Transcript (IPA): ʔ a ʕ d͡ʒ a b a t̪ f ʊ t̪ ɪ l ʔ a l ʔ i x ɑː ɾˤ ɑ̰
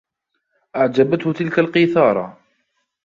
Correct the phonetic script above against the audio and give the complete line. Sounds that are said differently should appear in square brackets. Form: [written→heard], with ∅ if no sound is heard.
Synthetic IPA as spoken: ʔ a ʕ d͡ʒ a b a t̪ [f→h] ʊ t̪ ɪ l [ʔ→k] a l [ʔ→q] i [x→θ] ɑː ɾˤ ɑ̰